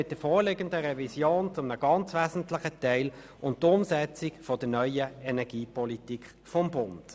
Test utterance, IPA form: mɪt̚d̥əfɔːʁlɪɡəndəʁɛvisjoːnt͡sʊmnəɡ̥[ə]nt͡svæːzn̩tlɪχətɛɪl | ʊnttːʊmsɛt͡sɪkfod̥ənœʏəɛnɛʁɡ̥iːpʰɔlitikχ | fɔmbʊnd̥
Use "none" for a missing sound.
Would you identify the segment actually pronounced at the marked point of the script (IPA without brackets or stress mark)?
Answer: ɑ